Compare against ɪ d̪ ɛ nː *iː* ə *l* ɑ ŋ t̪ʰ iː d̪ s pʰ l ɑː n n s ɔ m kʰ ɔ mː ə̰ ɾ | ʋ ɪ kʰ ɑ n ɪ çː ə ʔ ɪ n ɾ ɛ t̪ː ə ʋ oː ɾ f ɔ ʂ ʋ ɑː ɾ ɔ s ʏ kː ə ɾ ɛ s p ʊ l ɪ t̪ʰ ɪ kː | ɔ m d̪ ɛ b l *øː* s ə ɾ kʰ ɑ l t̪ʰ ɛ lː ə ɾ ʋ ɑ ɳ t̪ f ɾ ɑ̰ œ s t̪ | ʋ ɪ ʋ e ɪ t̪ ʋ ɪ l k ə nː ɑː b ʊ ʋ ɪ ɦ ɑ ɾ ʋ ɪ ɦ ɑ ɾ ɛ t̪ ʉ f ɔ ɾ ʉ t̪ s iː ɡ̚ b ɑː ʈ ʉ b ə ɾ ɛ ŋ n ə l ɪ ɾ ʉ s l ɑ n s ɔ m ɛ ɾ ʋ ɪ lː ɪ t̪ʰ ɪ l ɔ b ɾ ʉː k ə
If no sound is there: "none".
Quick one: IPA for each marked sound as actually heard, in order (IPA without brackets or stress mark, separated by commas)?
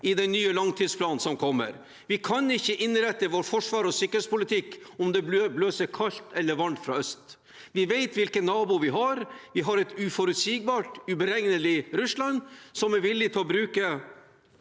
yː, l, øː